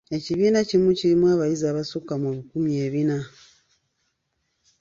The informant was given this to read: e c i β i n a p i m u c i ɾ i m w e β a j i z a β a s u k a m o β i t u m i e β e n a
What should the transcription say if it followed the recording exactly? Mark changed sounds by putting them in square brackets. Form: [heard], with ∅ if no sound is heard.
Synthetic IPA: e c i β i n a [c] i m u c i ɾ i m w [a] β a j i z a β a s u k a m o β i [k] u m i e β [i] n a